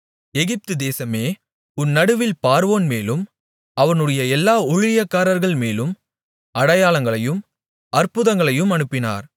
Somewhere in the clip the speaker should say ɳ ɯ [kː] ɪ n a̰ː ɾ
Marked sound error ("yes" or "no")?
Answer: yes